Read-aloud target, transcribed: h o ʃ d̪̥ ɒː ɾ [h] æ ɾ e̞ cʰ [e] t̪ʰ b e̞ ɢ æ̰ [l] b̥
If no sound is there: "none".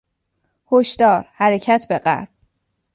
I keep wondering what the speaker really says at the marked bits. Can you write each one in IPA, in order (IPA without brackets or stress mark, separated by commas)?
h, æ, ɾ